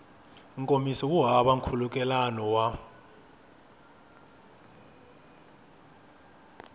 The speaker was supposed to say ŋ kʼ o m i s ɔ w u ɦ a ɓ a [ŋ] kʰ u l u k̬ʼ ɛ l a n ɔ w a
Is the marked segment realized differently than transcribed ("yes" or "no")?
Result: no